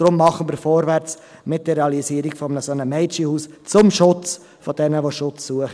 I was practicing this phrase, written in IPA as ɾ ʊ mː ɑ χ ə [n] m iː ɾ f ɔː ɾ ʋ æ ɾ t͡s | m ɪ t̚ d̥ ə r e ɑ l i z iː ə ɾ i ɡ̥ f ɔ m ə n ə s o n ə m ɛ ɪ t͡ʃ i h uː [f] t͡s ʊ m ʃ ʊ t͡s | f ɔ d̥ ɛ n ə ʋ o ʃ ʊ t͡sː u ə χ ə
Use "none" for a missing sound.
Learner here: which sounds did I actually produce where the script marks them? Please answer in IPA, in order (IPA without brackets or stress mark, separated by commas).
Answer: n, s